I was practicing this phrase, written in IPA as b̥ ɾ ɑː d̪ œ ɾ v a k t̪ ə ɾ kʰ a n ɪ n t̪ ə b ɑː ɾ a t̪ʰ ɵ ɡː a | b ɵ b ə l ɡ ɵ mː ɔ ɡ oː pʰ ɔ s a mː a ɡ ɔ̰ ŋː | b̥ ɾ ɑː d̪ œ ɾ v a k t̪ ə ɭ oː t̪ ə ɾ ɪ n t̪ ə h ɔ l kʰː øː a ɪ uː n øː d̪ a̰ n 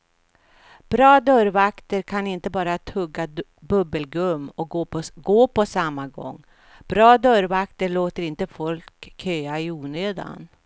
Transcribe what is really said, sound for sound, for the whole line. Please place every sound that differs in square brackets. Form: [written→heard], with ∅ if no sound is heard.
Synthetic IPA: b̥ ɾ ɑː d̪ œ ɾ v a k t̪ ə ɾ kʰ a n ɪ n t̪ ə b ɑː ɾ a t̪ʰ ɵ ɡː a | b ɵ b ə l ɡ ɵ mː ɔ ɡ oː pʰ ɔ s a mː a ɡ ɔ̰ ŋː | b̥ ɾ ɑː d̪ œ ɾ v a k t̪ ə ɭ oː t̪ ə ɾ ɪ n t̪ ə [h→f] ɔ l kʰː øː a ɪ uː n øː d̪ a̰ n